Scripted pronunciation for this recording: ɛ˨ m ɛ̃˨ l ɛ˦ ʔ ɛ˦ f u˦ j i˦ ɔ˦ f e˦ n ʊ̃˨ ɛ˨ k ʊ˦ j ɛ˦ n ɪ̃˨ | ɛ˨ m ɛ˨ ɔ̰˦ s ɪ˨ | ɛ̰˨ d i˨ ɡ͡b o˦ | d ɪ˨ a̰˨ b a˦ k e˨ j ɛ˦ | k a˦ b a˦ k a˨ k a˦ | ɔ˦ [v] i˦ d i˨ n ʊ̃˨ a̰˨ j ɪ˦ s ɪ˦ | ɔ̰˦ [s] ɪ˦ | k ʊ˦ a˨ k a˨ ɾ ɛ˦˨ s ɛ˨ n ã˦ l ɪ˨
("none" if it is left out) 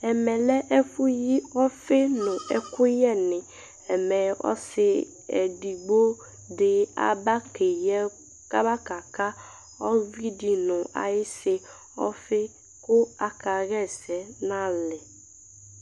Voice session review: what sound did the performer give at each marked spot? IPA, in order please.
v, f

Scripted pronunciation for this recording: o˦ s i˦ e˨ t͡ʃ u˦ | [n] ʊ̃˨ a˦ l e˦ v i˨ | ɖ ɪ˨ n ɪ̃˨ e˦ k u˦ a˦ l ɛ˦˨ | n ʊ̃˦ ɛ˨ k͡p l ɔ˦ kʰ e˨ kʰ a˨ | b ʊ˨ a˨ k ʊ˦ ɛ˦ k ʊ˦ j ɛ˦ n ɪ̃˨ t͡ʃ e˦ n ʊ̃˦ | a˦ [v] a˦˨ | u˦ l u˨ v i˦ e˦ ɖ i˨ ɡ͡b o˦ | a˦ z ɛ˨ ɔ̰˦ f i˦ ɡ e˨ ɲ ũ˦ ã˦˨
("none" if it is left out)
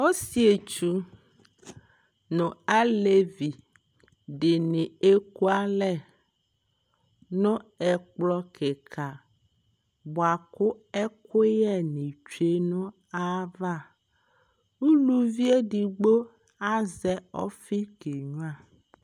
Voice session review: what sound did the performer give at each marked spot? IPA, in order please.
n, v

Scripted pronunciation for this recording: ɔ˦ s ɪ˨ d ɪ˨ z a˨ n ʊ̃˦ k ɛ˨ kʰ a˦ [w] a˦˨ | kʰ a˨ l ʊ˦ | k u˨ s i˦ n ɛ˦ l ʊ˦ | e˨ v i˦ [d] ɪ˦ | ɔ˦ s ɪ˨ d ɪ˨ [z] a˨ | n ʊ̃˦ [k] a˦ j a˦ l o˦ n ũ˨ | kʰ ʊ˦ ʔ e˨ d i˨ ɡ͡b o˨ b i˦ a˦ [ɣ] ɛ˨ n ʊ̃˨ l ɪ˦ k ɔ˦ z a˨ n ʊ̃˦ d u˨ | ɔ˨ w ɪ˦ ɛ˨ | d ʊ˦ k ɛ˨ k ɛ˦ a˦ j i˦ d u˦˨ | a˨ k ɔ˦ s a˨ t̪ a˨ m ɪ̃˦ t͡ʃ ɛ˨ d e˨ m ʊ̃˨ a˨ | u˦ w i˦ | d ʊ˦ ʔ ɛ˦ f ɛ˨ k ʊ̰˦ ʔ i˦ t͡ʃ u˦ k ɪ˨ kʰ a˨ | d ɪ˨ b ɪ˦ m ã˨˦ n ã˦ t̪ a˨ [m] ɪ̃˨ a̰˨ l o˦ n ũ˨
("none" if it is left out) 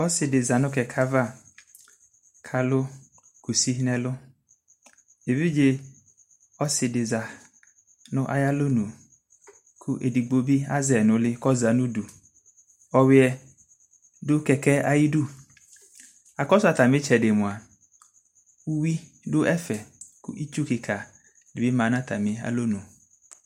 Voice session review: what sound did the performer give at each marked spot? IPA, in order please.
v, d͡ʒ, z, ʔ, z, m

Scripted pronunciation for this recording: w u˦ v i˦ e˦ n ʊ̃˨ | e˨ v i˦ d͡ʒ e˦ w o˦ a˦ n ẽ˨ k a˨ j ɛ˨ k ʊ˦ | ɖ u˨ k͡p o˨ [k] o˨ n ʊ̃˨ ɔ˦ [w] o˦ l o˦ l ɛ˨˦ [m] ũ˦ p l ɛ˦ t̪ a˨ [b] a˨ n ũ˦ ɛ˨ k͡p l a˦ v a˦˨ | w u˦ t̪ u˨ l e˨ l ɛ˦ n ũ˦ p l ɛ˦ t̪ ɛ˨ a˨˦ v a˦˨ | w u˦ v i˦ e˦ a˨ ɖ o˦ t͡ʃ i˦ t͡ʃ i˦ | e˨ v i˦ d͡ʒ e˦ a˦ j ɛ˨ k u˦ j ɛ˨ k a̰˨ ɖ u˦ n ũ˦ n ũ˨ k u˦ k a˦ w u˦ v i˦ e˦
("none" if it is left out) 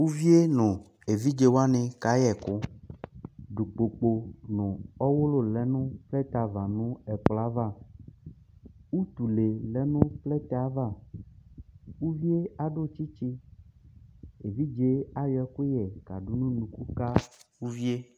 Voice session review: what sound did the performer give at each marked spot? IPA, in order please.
k͡p, w, n, v

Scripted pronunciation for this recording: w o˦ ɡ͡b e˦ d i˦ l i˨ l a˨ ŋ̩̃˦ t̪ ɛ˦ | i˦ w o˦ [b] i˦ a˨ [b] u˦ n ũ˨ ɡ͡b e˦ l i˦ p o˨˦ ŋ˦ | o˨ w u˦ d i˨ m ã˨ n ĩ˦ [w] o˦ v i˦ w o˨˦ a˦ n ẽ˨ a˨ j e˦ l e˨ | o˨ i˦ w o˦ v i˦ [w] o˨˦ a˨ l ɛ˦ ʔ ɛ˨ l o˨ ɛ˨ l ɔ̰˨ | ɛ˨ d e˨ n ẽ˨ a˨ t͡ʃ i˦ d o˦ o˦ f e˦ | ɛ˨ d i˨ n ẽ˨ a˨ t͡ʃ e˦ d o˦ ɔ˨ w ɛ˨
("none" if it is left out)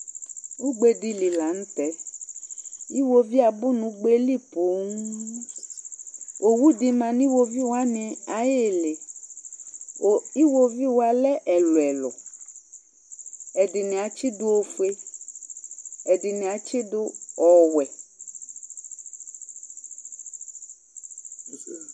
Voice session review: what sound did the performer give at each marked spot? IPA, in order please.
v, b, w, w

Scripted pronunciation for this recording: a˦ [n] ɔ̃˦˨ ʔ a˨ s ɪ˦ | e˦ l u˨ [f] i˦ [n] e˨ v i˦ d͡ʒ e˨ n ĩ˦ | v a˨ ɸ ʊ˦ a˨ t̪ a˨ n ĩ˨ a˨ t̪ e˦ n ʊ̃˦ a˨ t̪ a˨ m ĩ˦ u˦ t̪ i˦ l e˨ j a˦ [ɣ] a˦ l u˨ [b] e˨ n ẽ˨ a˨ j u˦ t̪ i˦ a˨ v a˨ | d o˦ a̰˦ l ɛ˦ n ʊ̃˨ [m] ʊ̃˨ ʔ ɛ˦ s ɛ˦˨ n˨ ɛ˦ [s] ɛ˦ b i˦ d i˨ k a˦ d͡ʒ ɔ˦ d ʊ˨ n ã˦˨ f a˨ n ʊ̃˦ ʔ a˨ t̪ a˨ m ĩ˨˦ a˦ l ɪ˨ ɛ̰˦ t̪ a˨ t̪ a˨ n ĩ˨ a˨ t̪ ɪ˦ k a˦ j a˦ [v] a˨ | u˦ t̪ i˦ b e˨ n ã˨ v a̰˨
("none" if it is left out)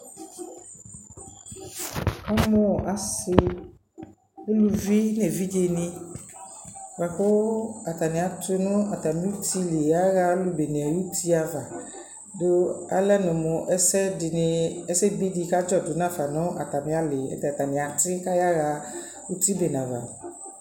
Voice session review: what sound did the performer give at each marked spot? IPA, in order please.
m, v, n, ɣ, b, m, s, ɣ

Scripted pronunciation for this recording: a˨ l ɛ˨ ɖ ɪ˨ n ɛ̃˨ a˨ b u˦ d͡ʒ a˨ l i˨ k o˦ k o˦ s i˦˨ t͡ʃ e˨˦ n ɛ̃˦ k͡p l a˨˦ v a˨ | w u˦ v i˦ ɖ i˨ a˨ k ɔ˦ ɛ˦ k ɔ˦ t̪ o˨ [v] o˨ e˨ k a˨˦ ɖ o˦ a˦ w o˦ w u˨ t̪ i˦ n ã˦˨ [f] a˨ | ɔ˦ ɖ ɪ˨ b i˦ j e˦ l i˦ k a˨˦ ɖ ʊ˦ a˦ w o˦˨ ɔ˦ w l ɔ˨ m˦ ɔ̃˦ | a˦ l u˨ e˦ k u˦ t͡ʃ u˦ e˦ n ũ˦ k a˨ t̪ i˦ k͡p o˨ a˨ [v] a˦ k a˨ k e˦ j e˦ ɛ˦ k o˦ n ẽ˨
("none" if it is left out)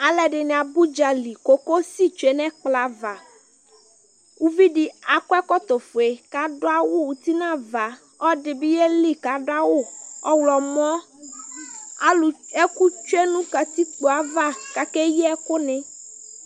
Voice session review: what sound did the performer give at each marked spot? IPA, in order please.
f, v, v

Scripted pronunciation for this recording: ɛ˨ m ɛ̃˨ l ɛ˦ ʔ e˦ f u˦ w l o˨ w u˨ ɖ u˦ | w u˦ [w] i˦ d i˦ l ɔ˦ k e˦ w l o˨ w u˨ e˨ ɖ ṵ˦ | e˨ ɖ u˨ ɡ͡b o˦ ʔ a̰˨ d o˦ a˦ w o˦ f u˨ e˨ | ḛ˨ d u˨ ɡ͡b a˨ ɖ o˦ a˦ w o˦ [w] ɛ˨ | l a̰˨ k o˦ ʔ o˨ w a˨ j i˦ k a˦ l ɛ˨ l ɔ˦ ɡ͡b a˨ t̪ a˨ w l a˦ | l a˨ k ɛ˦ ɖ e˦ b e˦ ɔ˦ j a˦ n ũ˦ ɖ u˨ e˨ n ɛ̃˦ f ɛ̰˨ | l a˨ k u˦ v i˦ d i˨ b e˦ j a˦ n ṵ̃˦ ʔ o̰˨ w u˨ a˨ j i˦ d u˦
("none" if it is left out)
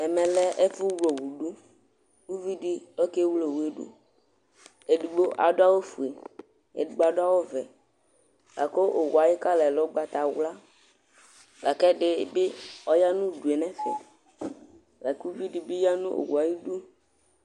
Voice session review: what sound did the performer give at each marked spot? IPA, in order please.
v, v

